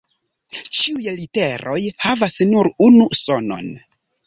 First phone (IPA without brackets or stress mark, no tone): t͡ʃ